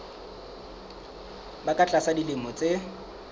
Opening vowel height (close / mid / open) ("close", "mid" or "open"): open